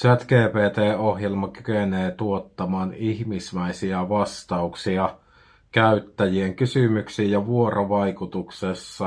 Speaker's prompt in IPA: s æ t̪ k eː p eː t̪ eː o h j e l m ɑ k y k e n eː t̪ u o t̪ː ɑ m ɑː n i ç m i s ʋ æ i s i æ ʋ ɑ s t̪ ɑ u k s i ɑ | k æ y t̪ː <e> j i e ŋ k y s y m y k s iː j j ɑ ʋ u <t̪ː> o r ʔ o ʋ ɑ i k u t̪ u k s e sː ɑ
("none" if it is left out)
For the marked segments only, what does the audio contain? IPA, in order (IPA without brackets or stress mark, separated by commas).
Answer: æ, none